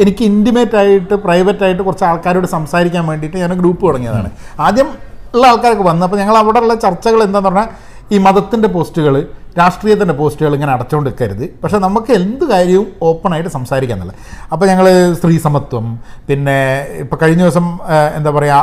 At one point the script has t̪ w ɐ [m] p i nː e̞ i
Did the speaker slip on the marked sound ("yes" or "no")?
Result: no